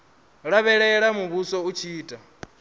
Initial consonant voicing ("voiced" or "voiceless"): voiced